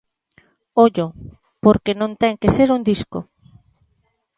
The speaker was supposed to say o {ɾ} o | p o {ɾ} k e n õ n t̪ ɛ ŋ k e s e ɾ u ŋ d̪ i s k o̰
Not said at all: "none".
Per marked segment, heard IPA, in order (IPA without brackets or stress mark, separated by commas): ʎ, ɾ